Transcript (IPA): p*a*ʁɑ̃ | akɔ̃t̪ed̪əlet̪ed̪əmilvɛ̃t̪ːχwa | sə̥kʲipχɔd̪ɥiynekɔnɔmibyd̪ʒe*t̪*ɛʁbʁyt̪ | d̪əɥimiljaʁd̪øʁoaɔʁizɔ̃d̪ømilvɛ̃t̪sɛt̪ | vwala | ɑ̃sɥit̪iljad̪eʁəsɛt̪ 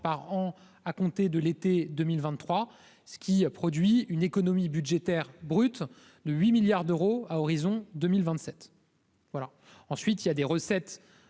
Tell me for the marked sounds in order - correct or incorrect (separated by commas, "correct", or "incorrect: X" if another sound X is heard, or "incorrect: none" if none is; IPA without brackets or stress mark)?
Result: correct, correct